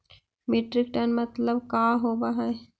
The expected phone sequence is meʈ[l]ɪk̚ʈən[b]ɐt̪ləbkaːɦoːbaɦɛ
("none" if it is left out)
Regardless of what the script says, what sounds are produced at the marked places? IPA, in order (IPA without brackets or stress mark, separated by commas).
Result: ɾ, m